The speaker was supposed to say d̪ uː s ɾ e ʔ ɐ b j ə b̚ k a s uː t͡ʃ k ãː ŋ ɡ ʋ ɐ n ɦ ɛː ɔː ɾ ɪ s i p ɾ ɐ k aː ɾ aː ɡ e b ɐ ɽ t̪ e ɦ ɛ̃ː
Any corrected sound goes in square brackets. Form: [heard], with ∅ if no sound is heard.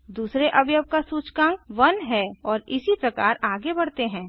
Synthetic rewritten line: d̪ uː s ɾ e ʔ ɐ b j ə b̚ k a s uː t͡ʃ k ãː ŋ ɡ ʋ ɐ n ɦ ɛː ɔː ɾ ɪ s i p ɾ ɐ k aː ɾ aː ɡ e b ɐ ɽ t̪ e ɦ ɛ̃ː